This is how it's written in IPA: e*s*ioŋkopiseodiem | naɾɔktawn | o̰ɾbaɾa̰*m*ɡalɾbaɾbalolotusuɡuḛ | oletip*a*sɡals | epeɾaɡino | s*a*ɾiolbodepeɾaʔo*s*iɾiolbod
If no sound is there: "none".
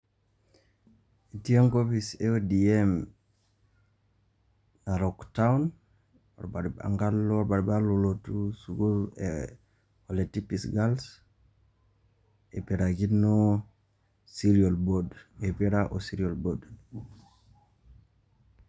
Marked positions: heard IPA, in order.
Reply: t, ŋ, i, i, s

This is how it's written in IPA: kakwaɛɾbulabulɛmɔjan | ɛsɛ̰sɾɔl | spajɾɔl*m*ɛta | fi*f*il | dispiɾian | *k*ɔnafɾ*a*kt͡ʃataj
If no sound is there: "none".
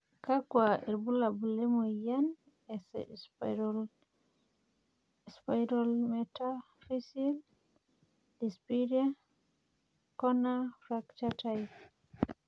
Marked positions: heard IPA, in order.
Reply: m, s, k, a

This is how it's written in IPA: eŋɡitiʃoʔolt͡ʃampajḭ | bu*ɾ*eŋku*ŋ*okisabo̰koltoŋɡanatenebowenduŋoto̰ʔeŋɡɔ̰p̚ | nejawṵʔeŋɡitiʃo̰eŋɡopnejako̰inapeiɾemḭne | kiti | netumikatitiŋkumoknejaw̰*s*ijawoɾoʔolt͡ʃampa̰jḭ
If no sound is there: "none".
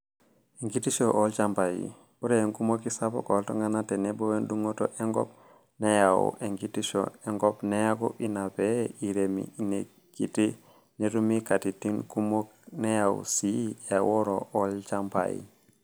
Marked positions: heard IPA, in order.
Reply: ɾ, m, s

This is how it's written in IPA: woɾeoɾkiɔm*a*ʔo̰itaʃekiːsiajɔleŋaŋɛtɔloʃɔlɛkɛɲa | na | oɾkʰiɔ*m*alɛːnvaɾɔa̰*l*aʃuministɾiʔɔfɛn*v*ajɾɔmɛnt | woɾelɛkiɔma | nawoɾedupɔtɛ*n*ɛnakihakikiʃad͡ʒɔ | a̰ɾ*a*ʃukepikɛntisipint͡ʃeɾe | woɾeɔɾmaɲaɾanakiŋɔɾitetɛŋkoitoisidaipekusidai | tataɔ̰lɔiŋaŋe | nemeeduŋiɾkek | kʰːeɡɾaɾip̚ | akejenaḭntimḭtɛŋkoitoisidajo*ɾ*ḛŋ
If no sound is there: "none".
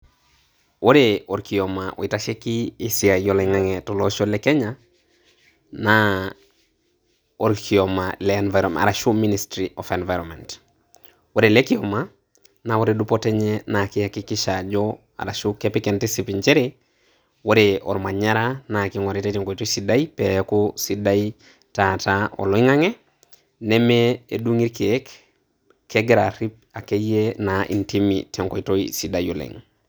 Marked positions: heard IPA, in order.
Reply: a, m, ɾ, v, ɲ, a, l

